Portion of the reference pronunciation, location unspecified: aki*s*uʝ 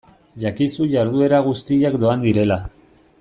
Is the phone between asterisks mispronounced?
no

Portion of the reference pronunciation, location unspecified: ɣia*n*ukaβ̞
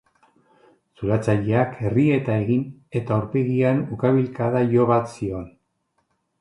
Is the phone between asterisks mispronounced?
no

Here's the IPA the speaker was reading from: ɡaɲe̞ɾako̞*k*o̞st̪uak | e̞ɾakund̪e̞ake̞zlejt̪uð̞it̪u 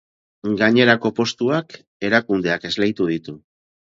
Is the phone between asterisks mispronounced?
yes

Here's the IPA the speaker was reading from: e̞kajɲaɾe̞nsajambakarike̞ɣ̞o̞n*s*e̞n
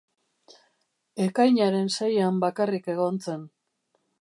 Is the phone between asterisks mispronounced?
yes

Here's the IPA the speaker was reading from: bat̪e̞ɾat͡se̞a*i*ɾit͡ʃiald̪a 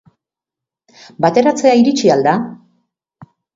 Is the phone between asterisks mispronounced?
no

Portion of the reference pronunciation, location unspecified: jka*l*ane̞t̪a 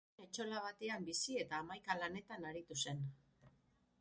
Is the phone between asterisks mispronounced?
no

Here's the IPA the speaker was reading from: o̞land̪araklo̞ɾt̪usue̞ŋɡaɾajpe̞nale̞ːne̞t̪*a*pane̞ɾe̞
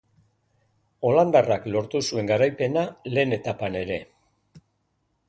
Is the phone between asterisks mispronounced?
no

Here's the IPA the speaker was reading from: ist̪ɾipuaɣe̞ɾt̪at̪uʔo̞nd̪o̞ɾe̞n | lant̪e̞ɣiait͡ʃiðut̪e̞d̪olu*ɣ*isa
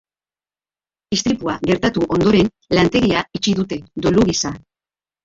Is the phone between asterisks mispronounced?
no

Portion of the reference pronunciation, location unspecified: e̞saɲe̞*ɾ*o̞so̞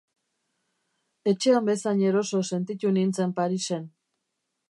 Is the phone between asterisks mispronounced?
no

